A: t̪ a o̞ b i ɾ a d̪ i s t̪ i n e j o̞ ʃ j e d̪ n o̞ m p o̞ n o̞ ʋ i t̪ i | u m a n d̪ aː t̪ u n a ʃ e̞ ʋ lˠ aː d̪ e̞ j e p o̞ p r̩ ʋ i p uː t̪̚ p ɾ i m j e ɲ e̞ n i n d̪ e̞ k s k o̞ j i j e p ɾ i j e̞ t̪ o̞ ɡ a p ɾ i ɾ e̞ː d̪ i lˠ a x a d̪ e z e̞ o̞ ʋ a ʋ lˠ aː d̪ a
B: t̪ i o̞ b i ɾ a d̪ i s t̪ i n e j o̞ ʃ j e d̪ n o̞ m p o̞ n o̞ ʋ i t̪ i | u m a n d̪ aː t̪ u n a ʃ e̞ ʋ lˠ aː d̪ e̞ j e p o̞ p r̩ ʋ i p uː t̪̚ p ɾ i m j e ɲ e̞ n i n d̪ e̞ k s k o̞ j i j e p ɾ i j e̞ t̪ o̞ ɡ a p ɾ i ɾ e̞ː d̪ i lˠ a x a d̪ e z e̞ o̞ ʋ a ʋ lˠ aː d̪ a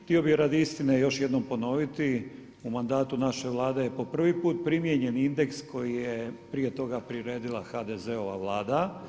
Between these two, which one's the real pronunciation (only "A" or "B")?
B